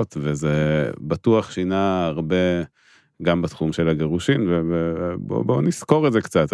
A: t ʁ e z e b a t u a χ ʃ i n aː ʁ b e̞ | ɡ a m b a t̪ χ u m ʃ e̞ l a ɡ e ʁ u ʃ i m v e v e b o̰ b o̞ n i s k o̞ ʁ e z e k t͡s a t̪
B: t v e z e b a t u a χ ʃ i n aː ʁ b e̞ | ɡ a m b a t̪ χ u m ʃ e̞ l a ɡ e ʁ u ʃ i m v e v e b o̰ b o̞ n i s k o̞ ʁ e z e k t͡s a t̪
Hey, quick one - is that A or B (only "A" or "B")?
B